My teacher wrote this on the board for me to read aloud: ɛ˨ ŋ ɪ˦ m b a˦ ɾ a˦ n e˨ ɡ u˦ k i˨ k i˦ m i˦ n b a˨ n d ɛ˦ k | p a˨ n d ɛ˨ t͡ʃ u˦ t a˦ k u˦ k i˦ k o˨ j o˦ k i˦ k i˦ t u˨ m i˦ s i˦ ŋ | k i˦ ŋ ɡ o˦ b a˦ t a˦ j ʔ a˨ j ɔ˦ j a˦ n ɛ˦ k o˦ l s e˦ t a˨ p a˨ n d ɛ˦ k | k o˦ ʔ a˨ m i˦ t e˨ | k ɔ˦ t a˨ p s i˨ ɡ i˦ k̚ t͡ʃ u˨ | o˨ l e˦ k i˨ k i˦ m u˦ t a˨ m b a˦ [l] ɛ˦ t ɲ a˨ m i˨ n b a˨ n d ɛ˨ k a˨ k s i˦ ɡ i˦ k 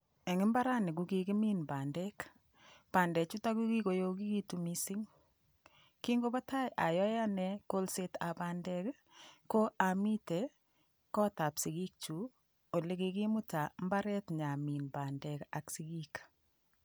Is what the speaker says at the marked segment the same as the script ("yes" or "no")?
no